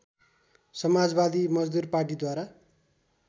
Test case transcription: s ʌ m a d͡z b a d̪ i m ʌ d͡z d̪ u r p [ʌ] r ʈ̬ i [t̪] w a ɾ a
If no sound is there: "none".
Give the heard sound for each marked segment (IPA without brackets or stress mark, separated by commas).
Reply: a, d̪